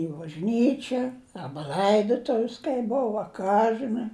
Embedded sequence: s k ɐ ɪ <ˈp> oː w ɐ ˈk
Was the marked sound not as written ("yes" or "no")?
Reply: yes